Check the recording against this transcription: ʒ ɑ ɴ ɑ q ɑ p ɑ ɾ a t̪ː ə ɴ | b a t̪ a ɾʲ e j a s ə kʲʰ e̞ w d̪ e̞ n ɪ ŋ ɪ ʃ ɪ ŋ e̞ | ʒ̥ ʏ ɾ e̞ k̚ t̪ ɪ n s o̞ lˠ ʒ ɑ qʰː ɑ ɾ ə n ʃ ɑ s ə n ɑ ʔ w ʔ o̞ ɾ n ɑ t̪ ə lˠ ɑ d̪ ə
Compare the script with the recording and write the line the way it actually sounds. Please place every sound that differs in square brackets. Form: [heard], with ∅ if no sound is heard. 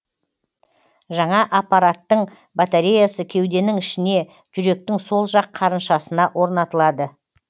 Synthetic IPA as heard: ʒ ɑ ɴ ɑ [ʔ] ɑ p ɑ ɾ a t̪ː ə ɴ | b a t̪ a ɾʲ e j a s ə kʲʰ e̞ w d̪ e̞ n ɪ ŋ ɪ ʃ ɪ [n] e̞ | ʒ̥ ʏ ɾ e̞ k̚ t̪ ɪ [ŋ] s o̞ lˠ ʒ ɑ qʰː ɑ ɾ ə n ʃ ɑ s ə n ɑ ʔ w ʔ o̞ ɾ n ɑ t̪ ə lˠ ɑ d̪ ə

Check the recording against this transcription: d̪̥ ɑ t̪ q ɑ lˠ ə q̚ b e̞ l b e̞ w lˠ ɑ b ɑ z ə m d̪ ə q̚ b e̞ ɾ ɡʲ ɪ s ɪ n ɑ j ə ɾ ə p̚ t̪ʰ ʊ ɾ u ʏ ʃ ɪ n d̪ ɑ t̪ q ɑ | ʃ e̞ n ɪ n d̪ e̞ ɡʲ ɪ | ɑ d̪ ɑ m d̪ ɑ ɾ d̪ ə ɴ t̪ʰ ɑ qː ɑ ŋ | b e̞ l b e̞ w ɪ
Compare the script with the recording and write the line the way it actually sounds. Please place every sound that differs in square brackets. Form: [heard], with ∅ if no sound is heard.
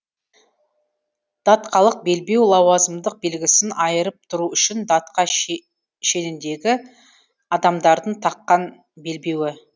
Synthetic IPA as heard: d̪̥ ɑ t̪ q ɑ lˠ ə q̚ b e̞ l b e̞ w lˠ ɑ [w] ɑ z ə m d̪ ə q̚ b e̞ [l] ɡʲ ɪ s ɪ n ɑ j ə ɾ ə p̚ t̪ʰ ʊ ɾ u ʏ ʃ ɪ n d̪ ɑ t̪ q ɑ | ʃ e̞ n ɪ n d̪ e̞ ɡʲ ɪ | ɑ d̪ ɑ m d̪ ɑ ɾ d̪ ə ɴ t̪ʰ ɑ qː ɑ [n] | b e̞ l b e̞ w ɪ

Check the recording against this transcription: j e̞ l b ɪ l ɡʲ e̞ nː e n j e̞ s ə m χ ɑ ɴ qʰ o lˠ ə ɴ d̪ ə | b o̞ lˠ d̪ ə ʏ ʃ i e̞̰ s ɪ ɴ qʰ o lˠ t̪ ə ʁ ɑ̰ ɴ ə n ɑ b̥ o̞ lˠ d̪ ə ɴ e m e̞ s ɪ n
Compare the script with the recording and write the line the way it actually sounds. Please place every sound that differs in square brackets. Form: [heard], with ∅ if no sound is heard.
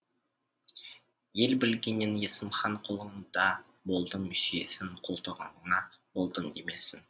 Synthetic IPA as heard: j e̞ l b ɪ l ɡʲ e̞ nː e n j e̞ s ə m χ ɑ ɴ qʰ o lˠ ə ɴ d̪ [ɑ] | b o̞ lˠ d̪ ə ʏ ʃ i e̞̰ s ɪ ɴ qʰ o lˠ t̪ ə ʁ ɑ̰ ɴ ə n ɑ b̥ o̞ lˠ d̪ ə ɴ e m e̞ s ɪ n

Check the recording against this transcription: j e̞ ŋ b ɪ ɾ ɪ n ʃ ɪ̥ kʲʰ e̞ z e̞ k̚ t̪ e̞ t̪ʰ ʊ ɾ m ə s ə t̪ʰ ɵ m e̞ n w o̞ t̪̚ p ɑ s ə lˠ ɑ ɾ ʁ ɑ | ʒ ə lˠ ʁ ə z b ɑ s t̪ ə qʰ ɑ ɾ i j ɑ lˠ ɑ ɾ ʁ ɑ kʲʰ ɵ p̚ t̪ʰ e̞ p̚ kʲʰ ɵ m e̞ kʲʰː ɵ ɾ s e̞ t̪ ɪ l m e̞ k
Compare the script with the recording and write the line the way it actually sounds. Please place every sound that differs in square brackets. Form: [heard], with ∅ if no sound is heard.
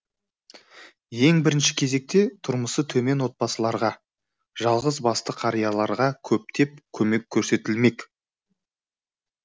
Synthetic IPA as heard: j e̞ ŋ b ɪ ɾ ɪ n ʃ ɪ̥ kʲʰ e̞ z e̞ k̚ t̪ e̞ t̪ʰ ʊ ɾ m ə s ə t̪ʰ ɵ m e̞ n w o̞ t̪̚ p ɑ s ə lˠ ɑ ɾ ʁ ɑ | ʒ [ɑ] lˠ ʁ ə z b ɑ s t̪ ə qʰ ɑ ɾ i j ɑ lˠ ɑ ɾ ʁ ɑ kʲʰ ɵ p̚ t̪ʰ e̞ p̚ kʲʰ ɵ m e̞ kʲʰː ɵ ɾ s e̞ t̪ ɪ l m e̞ k

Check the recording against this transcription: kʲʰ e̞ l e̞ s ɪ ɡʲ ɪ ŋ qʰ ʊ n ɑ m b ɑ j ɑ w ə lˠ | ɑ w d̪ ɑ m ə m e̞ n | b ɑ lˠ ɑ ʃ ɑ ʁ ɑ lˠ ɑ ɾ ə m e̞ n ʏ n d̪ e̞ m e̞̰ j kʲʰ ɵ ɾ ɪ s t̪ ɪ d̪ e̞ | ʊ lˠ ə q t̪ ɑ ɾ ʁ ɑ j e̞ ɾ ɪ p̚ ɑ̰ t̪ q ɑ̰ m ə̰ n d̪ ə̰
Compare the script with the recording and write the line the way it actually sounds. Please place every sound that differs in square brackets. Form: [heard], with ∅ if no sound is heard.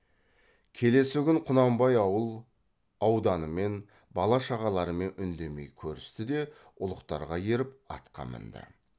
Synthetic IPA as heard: kʲʰ e̞ l e̞ s ɪ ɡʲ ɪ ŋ qʰ ʊ n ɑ m b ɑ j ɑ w ə lˠ | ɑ w d̪ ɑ [n] ə m e̞ n | b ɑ lˠ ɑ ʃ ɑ ʁ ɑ lˠ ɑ ɾ ə m e̞ n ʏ n d̪ e̞ m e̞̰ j kʲʰ ɵ ɾ ɪ s t̪ ɪ d̪ e̞ | ʊ lˠ ə q t̪ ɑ ɾ ʁ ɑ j e̞ ɾ ɪ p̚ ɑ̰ t̪ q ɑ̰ m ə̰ n d̪ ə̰

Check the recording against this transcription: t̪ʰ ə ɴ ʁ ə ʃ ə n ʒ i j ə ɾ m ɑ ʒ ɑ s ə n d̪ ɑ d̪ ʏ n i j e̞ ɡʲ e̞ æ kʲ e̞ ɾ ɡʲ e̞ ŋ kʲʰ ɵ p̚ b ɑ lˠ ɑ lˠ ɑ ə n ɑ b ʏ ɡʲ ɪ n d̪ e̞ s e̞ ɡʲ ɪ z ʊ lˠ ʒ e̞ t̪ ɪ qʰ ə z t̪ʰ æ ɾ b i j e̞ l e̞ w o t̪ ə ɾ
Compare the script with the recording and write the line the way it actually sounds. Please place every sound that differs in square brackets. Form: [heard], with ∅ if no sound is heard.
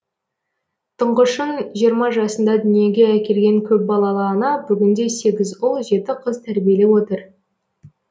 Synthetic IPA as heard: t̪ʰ ə ɴ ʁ ə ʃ ə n ʒ i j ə ɾ m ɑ ʒ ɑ s ə n d̪ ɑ d̪ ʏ n i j e̞ ɡʲ e̞ æ kʲ e̞ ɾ ɡʲ e̞ ŋ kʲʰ ɵ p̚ b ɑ lˠ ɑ lˠ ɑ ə n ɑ b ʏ ɡʲ ɪ n d̪ e̞ s e̞ ɡʲ ɪ z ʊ lˠ ʒ e̞ t̪ ɪ qʰ ə z t̪ʰ æ ɾ b i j e̞ l e̞ w o t̪ ə ɾ

